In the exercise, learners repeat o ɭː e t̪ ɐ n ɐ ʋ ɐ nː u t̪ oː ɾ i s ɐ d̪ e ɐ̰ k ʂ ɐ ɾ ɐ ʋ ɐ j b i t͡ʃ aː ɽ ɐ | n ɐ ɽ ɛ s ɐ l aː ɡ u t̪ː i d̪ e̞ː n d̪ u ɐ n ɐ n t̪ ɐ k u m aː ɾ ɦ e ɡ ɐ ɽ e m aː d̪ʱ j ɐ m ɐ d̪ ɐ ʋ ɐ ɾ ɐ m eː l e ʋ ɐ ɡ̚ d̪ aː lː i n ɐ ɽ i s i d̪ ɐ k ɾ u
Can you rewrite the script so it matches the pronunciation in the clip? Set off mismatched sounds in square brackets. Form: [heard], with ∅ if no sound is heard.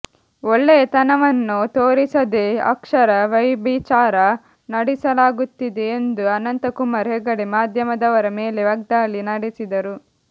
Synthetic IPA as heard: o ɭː e t̪ ɐ n ɐ ʋ ɐ nː u t̪ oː ɾ i s ɐ d̪ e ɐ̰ k ʂ ɐ ɾ ɐ ʋ ɐ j b i t͡ʃ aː [ɾ] ɐ | n ɐ ɽ [i] s ɐ l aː ɡ u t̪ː i d̪ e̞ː n d̪ u ɐ n ɐ n t̪ ɐ k u m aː ɾ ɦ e ɡ ɐ ɽ e m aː d̪ʱ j ɐ m ɐ d̪ ɐ ʋ ɐ ɾ ɐ m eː l e ʋ ɐ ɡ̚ d̪ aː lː i n ɐ ɽ i s i d̪ ɐ [∅] ɾ u